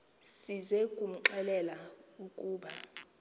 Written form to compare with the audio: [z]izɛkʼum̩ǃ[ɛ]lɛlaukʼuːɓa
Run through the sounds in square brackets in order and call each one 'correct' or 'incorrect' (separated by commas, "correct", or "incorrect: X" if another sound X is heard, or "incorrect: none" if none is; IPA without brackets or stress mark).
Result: incorrect: s, correct